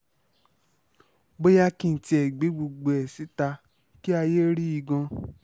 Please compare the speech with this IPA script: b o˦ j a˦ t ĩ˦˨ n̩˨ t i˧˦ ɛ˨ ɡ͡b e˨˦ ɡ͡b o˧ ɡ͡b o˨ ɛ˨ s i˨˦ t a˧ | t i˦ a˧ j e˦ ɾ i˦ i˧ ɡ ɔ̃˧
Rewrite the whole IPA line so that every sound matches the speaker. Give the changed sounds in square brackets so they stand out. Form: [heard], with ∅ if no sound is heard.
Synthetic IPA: b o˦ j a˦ [k] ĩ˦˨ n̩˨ t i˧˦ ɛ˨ ɡ͡b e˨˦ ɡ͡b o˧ ɡ͡b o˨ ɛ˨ s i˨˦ t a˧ | [k] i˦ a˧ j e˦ ɾ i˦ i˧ ɡ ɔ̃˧